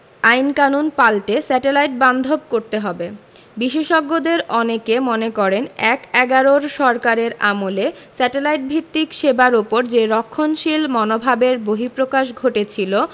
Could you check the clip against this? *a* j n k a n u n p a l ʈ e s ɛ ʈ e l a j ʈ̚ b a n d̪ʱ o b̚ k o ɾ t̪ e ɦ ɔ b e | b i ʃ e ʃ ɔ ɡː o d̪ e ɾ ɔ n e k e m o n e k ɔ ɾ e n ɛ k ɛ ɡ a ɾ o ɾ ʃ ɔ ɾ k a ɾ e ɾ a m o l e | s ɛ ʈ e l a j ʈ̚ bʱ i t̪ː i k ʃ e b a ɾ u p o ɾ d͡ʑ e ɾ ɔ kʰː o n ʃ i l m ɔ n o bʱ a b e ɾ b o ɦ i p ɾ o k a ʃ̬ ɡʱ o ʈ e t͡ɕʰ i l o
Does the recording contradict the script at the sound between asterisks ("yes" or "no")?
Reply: no